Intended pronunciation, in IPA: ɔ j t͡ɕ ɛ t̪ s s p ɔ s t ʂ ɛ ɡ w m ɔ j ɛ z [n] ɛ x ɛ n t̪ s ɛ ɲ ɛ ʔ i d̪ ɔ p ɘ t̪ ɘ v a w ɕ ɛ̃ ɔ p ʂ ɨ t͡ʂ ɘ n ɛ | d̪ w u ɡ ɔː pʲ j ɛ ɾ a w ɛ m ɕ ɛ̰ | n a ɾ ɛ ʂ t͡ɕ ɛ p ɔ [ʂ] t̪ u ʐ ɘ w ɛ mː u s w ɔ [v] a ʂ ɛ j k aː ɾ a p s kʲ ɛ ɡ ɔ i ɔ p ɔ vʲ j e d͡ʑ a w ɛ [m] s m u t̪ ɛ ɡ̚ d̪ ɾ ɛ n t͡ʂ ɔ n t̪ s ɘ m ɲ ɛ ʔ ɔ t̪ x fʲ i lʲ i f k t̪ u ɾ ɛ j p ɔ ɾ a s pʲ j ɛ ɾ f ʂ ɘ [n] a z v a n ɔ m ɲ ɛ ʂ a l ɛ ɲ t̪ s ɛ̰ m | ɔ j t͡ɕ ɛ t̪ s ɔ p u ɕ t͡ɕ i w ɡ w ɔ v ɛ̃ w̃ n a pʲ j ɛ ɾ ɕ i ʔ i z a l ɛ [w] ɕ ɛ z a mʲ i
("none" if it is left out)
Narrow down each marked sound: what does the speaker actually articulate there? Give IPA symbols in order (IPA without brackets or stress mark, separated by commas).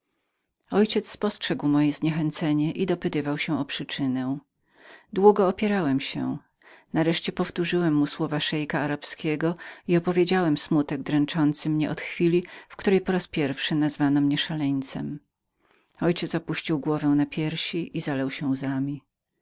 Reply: ɲ, f, v, m, n, w